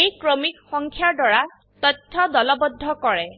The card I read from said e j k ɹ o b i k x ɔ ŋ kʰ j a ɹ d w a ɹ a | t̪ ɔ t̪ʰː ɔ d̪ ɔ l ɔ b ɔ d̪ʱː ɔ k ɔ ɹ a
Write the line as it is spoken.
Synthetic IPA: e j k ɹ o m i k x ɔ ŋ kʰ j a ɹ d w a ɹ a | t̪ ɔ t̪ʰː ɔ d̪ ɔ l ɔ b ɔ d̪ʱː ɔ k ɔ ɹ ɛ